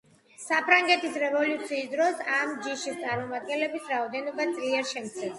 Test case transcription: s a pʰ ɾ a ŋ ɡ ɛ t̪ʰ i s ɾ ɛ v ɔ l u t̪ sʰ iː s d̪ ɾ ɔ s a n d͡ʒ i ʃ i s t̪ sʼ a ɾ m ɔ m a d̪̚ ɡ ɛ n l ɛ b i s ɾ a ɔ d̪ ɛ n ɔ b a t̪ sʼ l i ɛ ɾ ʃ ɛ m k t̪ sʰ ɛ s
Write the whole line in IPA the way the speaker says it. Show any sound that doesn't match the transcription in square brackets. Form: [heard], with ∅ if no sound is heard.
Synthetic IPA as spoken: s a pʰ ɾ a ŋ ɡ ɛ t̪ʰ i s ɾ ɛ v ɔ l u t̪ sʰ iː s d̪ ɾ ɔ s a [m] d͡ʒ i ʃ i s t̪ sʼ a ɾ m ɔ m a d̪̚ ɡ ɛ n l ɛ b i s ɾ a ɔ d̪ ɛ n ɔ b a t̪ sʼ l i ɛ ɾ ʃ ɛ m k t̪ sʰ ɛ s